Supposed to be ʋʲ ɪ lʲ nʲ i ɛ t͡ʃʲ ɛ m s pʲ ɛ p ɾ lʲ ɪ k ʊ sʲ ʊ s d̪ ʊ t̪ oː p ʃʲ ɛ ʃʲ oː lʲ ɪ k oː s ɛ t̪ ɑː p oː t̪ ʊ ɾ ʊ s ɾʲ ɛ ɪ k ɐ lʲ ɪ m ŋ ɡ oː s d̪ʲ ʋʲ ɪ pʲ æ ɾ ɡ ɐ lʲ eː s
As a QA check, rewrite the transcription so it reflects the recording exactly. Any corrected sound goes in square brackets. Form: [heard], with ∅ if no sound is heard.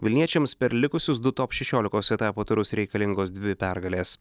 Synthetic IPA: ʋʲ ɪ lʲ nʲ i ɛ t͡ʃʲ ɛ m s pʲ ɛ [∅] ɾ lʲ ɪ k ʊ sʲ ʊ s d̪ ʊ t̪ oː p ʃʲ ɛ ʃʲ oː lʲ ɪ k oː s ɛ t̪ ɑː p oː t̪ ʊ ɾ ʊ s ɾʲ ɛ ɪ k ɐ lʲ ɪ [∅] ŋ ɡ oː s d̪ʲ ʋʲ ɪ pʲ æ ɾ ɡ ɐ lʲ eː s